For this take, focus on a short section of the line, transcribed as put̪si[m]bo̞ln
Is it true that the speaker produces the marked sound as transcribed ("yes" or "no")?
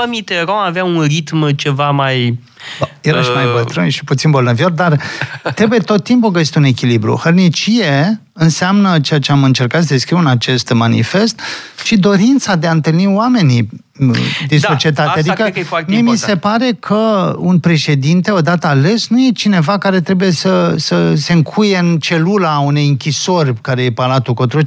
no